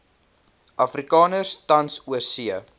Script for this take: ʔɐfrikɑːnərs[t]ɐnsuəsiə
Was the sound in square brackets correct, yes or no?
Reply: yes